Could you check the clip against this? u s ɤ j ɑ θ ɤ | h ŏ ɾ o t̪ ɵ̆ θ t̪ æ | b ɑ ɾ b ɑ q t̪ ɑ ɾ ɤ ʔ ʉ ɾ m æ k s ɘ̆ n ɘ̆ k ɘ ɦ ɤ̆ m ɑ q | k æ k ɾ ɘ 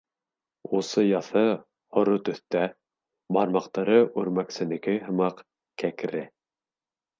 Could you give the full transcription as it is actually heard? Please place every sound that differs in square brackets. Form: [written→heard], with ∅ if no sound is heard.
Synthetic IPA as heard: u s ɤ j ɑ θ ɤ | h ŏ ɾ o t̪ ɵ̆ θ t̪ æ | b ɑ ɾ [b→m] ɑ q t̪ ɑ ɾ ɤ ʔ ʉ ɾ m æ k s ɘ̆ n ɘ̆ k ɘ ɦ ɤ̆ m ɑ q | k æ k ɾ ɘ